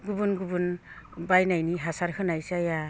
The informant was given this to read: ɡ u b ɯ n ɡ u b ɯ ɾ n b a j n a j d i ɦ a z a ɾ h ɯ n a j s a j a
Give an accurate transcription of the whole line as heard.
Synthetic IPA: ɡ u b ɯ n ɡ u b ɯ n b a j n a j n i ɦ a s a ɾ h ɯ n a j s a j a